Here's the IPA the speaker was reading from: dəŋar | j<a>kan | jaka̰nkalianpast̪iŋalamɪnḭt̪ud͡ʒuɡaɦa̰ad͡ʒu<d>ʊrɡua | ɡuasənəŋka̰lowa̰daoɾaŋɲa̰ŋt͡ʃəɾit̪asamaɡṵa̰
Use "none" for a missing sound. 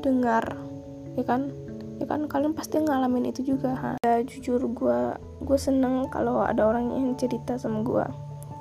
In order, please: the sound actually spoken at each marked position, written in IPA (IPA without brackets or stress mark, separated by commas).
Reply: a, d͡ʒ